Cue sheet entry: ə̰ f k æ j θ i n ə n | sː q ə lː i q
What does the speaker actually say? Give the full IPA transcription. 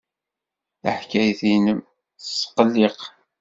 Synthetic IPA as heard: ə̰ ħ k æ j θ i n ə m | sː q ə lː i q